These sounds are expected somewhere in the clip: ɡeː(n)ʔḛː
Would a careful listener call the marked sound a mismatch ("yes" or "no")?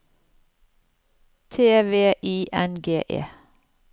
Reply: yes